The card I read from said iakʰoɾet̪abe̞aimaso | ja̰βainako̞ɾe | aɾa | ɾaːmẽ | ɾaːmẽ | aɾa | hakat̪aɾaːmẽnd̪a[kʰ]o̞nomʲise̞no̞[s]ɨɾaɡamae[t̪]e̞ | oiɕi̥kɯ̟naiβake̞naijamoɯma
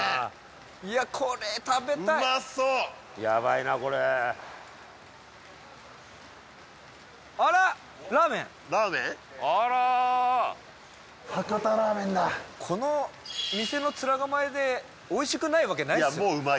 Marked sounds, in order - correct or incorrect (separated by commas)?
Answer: correct, incorrect, incorrect